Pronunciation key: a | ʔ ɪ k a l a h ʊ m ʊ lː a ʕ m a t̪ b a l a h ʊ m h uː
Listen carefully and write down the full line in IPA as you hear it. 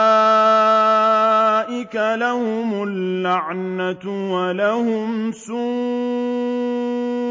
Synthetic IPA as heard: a | ʔ ɪ k a l a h ʊ m ʊ lː a ʕ n a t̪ w a l a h ʊ m s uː